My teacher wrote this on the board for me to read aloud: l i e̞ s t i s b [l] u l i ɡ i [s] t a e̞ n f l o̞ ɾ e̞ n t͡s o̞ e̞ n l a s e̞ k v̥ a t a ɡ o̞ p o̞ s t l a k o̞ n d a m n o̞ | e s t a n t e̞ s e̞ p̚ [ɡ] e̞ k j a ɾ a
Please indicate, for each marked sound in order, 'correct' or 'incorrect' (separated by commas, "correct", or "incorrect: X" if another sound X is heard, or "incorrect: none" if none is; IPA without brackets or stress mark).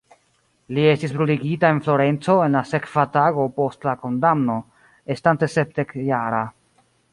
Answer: incorrect: ɾ, incorrect: none, incorrect: d